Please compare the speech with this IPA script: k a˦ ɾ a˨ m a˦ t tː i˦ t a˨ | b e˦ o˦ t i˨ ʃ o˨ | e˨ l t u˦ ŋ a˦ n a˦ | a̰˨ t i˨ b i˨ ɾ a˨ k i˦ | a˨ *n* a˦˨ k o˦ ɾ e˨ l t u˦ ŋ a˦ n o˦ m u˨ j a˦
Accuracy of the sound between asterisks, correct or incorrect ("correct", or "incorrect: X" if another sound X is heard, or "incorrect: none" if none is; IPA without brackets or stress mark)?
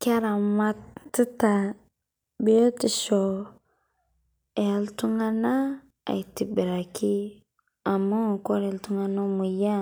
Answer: incorrect: m